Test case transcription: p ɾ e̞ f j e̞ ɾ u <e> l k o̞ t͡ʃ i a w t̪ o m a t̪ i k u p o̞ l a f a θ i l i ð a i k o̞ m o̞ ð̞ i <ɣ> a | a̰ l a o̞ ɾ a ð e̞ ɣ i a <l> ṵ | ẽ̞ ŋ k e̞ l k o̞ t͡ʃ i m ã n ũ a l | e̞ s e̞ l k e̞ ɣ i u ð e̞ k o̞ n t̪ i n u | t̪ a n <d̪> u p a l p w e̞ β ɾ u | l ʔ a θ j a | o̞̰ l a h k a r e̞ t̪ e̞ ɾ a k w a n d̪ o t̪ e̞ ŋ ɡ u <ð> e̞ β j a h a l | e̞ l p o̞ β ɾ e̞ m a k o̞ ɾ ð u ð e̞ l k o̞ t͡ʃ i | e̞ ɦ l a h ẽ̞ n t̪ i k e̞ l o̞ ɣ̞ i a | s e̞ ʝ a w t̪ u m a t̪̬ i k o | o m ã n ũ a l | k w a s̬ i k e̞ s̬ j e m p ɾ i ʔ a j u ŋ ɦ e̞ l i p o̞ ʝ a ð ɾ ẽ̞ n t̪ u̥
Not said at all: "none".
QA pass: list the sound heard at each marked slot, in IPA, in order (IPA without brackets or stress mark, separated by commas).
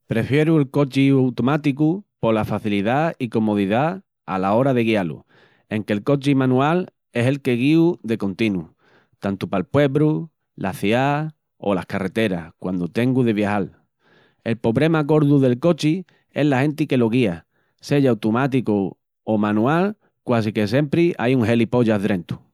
e, ð, l, t̪, ð